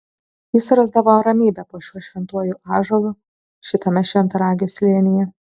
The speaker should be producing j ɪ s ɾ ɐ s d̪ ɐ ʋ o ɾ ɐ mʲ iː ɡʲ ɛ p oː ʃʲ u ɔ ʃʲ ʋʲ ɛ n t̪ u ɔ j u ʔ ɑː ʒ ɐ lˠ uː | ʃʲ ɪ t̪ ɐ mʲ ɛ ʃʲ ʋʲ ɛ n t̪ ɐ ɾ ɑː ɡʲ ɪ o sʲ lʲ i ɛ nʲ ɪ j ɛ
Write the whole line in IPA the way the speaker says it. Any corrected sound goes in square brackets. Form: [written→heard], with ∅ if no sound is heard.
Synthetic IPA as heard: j ɪ s ɾ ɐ [s→z] d̪ ɐ ʋ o ɾ ɐ mʲ iː [ɡʲ→bʲ] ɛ p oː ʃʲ u ɔ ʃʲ ʋʲ ɛ n t̪ u ɔ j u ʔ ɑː ʒ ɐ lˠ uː | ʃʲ ɪ t̪ ɐ mʲ ɛ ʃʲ ʋʲ ɛ n t̪ ɐ ɾ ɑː ɡʲ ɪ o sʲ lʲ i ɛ nʲ ɪ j ɛ